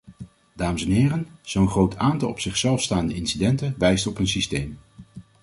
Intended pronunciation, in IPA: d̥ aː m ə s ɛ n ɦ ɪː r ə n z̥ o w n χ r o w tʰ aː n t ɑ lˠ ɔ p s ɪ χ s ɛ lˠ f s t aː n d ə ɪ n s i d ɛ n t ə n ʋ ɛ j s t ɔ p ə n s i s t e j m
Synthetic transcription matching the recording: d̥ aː m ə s ɛ n ɦ ɪː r ə n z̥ o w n χ r o w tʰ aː n t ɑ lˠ ɔ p s ɪ χ s ɛ lˠ f s t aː n d ə ɪ n s i d ɛ n t ə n ʋ ɛ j s t ɔ p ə n s i s t e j m